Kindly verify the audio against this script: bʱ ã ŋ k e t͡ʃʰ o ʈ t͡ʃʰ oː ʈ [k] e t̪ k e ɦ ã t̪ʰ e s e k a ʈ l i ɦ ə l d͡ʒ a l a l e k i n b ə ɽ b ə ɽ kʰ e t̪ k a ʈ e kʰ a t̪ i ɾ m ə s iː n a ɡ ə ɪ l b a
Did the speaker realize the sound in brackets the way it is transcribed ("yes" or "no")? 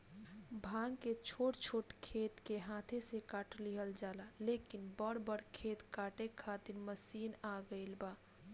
no